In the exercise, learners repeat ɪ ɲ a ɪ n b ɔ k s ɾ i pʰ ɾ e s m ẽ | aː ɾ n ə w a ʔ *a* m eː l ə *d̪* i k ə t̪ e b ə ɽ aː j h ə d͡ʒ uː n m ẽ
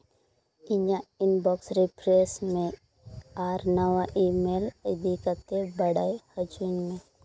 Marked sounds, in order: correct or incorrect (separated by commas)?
incorrect, correct